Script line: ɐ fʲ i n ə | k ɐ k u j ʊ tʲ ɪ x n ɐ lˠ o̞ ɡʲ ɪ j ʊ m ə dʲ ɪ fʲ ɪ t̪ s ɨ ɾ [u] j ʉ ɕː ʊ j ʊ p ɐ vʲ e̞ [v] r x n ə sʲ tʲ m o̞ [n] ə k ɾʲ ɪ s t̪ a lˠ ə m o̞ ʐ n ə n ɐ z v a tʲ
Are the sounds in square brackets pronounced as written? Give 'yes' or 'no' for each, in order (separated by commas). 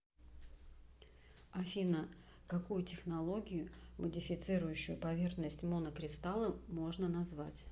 no, no, yes